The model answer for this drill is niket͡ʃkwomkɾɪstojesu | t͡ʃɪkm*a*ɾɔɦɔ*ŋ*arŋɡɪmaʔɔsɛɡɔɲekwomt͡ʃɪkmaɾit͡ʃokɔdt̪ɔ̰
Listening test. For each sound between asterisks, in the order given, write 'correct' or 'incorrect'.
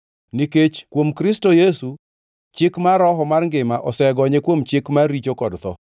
correct, incorrect: m

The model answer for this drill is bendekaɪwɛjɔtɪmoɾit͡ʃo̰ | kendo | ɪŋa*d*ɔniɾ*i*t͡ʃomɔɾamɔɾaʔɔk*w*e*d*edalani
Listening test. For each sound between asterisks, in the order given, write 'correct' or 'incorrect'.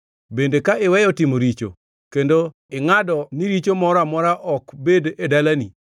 correct, correct, incorrect: b, correct

